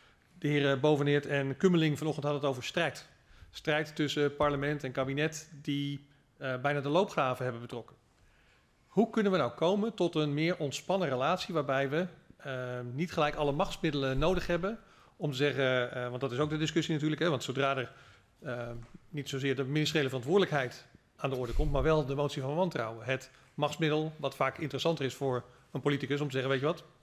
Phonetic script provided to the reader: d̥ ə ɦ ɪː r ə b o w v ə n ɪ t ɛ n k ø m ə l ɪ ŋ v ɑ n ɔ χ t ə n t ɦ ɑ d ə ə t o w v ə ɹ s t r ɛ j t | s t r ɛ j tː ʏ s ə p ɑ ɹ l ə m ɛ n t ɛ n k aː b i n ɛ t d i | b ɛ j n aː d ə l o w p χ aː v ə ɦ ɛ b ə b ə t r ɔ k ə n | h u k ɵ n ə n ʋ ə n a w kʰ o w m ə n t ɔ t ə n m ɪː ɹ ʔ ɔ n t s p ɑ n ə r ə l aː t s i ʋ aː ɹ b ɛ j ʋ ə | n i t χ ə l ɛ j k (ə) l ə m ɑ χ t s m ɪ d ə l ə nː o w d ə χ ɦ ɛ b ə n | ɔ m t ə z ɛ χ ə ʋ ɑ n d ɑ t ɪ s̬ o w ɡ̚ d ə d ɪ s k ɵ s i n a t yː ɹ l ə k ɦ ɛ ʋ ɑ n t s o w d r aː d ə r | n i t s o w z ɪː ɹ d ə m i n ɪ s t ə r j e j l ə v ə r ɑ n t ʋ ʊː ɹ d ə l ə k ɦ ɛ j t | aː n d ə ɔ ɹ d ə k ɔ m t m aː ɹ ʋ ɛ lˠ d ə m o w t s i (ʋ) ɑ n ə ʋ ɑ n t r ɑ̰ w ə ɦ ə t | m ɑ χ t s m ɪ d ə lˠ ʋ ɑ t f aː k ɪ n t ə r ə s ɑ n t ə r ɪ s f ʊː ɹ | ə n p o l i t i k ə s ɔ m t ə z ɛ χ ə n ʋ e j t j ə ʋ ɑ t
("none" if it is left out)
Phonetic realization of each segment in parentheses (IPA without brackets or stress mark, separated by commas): ɑ, v